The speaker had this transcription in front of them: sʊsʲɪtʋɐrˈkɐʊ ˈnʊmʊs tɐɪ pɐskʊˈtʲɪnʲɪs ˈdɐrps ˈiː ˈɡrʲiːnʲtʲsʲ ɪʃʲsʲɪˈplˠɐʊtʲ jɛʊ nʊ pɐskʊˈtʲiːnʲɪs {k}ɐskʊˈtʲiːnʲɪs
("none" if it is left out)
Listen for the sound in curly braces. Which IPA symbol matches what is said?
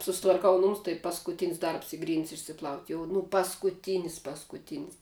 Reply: p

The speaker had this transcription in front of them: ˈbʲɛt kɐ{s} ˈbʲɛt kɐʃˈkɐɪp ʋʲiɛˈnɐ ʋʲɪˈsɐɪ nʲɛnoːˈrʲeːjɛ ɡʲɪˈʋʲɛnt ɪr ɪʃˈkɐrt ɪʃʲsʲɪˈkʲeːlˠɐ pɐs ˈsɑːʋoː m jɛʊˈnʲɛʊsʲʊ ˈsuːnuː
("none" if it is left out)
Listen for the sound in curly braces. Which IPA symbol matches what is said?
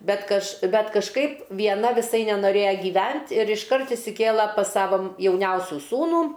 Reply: ʃ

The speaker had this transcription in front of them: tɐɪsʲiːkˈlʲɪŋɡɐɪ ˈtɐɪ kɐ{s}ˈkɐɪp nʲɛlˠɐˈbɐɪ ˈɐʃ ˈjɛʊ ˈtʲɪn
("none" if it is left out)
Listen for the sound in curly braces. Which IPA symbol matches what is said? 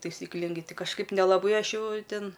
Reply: ʃ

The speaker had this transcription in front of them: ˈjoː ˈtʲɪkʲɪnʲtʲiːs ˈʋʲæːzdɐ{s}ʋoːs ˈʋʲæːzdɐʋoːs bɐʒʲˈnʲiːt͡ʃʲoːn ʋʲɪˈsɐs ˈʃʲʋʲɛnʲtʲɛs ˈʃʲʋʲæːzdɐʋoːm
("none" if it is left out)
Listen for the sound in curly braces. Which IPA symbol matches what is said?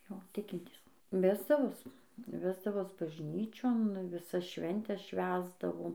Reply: none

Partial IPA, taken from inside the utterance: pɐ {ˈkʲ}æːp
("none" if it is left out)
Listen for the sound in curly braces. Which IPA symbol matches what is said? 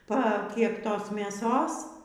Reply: kʲ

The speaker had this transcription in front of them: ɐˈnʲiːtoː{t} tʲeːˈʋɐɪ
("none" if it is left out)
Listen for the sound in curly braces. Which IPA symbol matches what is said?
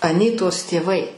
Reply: s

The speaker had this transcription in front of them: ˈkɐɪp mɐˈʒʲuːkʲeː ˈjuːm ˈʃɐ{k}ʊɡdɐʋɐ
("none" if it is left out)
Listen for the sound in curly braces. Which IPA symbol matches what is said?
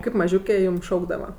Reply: none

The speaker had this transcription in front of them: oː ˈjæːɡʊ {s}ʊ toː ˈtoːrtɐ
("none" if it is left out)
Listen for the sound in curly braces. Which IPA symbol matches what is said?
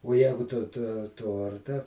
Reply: t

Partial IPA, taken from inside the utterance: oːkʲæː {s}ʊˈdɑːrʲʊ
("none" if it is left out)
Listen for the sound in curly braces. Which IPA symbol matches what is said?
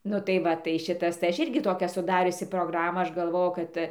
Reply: s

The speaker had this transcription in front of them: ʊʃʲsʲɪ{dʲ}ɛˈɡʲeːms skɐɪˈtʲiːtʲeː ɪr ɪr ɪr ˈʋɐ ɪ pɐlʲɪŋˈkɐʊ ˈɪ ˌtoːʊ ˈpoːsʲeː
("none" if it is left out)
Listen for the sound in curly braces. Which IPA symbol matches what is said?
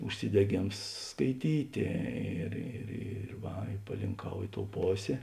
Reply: dʲ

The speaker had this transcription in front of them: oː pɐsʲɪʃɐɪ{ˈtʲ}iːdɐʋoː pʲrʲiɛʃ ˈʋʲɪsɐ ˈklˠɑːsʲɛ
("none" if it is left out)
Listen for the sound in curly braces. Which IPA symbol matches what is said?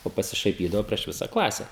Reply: pʲ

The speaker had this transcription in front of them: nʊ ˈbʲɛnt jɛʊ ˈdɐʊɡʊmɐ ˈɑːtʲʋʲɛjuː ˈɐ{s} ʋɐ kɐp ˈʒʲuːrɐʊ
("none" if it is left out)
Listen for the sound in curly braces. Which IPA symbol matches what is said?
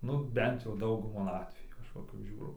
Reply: ʃ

